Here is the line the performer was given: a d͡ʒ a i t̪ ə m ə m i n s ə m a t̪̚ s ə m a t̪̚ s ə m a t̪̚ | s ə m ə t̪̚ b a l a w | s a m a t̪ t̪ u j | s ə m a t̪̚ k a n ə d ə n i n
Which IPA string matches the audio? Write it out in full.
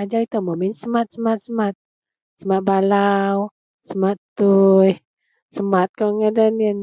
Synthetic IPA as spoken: a d͡ʒ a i t̪ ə m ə m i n s ə m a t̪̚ s ə m a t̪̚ s ə m a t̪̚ | s ə m a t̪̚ b a l a w | s ə m a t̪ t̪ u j | s ə m a t̪̚ k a ŋ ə d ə n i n